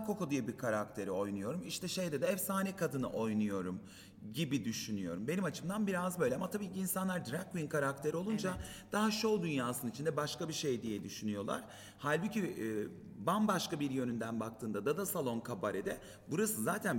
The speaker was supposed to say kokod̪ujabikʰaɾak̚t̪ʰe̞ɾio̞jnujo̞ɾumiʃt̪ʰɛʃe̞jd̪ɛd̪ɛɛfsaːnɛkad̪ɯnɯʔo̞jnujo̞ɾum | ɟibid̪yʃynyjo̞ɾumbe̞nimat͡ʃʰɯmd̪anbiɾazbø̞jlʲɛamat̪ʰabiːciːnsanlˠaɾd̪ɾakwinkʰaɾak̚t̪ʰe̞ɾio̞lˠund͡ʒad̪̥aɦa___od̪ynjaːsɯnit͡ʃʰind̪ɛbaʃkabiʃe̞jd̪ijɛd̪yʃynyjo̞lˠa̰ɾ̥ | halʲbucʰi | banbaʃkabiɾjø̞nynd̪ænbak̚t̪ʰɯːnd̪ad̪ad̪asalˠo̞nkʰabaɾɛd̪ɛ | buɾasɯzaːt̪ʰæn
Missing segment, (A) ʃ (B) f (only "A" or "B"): A